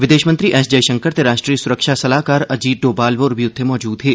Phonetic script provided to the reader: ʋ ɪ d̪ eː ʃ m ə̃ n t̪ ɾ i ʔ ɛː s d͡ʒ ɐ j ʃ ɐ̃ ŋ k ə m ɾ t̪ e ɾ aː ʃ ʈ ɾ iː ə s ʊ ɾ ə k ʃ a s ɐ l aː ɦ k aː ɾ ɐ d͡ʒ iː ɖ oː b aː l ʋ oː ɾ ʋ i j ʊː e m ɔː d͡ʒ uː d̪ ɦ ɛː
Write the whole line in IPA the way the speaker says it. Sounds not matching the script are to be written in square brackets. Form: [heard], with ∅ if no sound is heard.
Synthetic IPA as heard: ʋ ɪ d̪ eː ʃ m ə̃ n t̪ ɾ i ʔ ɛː s d͡ʒ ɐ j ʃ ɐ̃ ŋ k ə [∅] ɾ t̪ e ɾ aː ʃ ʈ ɾ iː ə s ʊ ɾ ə k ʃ a s ɐ l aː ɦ k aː ɾ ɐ d͡ʒ iː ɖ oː b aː l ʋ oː ɾ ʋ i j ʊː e m ɔː d͡ʒ uː d̪ ɦ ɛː